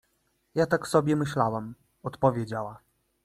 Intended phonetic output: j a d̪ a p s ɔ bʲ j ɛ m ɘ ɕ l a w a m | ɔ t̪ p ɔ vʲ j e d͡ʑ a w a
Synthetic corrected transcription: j a t̪ a k s ɔ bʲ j ɛ m ɘ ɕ l a w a m | ɔ t̪ p ɔ vʲ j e d͡ʑ a w a